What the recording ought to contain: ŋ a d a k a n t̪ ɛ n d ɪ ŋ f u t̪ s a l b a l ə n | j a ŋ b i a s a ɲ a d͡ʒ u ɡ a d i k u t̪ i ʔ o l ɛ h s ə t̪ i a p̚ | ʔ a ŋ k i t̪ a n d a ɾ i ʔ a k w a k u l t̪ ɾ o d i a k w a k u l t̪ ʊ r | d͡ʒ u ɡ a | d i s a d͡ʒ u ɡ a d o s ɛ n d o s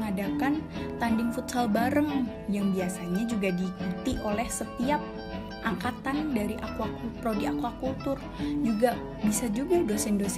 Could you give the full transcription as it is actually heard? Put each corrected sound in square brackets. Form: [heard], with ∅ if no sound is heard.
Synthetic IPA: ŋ a d a k a n t̪ [a] n d ɪ ŋ f u t̪ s a l b a [ɾ] ə [ŋ] | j a ŋ b i a s a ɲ a d͡ʒ u ɡ a d i k u t̪ i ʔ o l ɛ h s ə t̪ i a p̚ | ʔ a ŋ k [a] t̪ a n d a ɾ i ʔ a k w a k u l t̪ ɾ o d i a k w a k u l t̪ ʊ r | d͡ʒ u ɡ a | [b] i s a d͡ʒ u ɡ a d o s ɛ n d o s